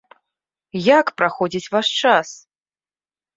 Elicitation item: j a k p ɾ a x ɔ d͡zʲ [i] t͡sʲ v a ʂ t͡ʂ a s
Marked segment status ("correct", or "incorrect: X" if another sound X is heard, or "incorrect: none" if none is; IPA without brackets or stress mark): correct